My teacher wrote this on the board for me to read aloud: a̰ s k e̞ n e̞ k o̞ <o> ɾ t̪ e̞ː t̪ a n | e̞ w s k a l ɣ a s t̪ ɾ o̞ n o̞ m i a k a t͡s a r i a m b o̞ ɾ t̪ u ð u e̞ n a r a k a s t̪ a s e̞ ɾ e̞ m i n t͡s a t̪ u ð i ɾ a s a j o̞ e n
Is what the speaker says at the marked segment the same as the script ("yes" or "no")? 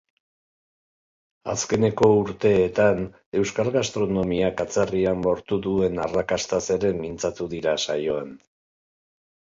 no